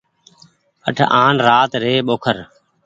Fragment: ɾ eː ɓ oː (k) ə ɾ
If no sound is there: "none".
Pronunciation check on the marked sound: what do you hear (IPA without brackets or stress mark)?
kʰ